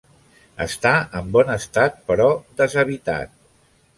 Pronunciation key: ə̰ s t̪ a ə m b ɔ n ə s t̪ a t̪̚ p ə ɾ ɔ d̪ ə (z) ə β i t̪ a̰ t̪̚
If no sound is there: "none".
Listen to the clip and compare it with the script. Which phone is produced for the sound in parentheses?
z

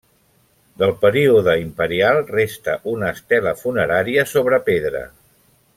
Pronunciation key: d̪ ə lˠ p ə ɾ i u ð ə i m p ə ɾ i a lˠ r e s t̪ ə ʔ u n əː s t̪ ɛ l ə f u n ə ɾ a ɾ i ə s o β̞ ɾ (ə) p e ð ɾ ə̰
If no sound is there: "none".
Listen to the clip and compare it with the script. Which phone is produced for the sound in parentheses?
ə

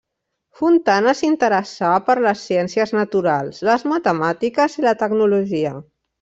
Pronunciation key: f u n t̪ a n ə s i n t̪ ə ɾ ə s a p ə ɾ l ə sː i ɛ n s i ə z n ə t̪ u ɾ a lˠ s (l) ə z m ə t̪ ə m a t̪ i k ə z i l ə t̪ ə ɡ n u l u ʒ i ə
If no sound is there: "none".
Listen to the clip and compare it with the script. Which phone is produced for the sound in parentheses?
l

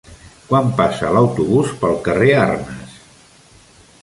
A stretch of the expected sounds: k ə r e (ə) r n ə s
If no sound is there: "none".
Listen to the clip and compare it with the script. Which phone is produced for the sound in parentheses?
a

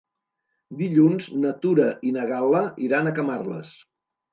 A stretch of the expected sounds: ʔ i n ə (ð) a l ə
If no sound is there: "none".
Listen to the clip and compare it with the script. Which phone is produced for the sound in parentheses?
ɣ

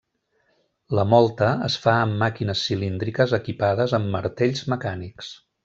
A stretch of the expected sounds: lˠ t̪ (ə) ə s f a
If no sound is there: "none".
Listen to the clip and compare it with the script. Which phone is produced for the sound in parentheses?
ə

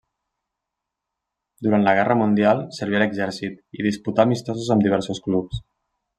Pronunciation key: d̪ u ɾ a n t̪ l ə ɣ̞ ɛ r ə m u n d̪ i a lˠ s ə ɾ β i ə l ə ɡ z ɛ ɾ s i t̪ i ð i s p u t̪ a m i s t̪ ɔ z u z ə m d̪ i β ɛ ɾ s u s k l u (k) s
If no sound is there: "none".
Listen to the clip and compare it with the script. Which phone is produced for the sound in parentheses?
p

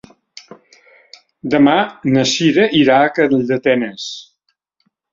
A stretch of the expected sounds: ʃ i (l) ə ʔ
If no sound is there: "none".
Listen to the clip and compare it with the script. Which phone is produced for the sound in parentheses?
ɾ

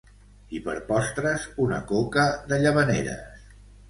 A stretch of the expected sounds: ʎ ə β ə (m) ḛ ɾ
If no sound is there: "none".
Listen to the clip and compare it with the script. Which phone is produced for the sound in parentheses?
n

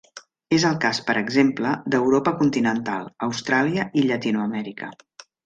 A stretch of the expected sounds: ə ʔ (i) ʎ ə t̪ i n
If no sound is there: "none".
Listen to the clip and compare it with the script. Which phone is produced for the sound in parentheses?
i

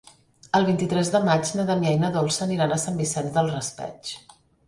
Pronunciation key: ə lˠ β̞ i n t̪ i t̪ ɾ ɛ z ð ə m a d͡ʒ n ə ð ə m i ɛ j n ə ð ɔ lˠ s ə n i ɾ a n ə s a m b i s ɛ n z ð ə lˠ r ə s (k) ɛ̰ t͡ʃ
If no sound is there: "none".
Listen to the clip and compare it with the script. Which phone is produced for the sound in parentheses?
p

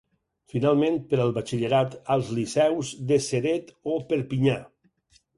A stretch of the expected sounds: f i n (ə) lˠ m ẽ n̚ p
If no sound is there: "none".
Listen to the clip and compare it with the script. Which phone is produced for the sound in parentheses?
a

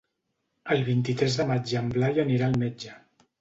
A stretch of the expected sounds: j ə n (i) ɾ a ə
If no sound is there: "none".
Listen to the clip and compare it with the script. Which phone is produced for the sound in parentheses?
i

